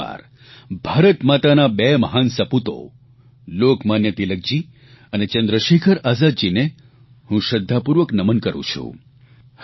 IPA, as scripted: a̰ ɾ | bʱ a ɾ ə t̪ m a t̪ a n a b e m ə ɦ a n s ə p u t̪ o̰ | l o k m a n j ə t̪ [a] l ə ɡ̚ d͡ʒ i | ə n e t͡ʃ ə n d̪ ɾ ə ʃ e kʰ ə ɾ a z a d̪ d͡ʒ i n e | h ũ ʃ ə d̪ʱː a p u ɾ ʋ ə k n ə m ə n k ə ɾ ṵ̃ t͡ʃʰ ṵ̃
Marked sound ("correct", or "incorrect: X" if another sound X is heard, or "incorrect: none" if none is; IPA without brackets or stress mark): incorrect: i